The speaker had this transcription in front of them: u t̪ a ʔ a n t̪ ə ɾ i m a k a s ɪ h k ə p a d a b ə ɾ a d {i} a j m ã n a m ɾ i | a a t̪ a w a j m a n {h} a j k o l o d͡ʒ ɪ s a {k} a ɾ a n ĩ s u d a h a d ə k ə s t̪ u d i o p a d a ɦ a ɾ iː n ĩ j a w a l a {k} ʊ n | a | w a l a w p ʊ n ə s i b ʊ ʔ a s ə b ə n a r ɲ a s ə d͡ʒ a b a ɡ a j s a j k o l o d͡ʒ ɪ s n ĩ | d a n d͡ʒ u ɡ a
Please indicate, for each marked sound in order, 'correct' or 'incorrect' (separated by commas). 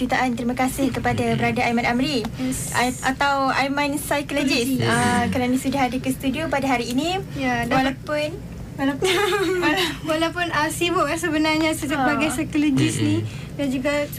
incorrect, incorrect, correct, incorrect